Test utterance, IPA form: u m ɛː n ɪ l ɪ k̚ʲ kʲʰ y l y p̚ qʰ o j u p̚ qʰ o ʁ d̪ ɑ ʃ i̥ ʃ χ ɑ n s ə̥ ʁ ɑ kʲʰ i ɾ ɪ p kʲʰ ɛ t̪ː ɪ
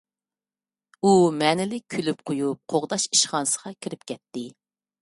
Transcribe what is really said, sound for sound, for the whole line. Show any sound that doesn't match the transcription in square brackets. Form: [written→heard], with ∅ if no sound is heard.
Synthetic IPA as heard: u m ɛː n ɪ l ɪ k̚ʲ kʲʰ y l y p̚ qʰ o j u p̚ qʰ o ʁ d̪ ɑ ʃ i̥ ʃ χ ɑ n s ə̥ ʁ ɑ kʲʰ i ɾ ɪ p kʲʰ ɛ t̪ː ɪ